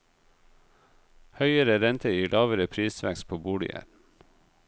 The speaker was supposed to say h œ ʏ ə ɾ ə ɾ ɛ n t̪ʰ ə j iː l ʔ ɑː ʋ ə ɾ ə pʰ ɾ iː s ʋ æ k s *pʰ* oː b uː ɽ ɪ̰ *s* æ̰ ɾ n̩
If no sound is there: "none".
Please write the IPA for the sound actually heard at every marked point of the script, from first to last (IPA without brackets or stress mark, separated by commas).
pʰ, none